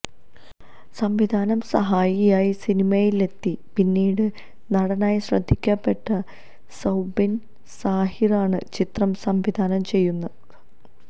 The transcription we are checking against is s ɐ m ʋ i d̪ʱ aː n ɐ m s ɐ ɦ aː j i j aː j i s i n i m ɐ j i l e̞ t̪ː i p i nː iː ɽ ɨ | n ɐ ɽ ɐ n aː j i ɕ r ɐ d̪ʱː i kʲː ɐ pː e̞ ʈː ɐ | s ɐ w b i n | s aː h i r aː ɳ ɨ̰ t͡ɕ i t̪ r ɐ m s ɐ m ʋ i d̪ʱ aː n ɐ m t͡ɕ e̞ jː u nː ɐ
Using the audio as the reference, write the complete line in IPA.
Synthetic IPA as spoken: s ɐ m ʋ i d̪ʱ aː n ɐ m s ɐ ɦ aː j i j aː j i s i n i m ɐ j i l e̞ t̪ː i p i nː iː ɽ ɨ | n ɐ ɽ ɐ n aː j i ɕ r ɐ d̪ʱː i kʲː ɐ pː e̞ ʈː ɐ | s ɐ w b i n | s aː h i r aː ɳ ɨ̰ t͡ɕ i t̪ r ɐ m s ɐ m ʋ i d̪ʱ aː n ɐ m t͡ɕ e̞ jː u nː ɐ